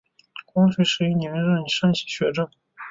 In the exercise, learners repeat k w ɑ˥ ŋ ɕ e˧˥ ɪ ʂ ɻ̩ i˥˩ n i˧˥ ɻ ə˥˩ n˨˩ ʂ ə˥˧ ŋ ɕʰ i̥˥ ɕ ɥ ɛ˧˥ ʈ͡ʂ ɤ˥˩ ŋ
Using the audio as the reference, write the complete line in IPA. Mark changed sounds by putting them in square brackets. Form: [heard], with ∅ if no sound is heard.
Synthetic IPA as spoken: k w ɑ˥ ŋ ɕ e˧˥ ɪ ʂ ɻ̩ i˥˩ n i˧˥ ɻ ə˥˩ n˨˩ ʂ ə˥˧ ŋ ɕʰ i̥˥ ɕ ɥ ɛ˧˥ ʈ͡ʂ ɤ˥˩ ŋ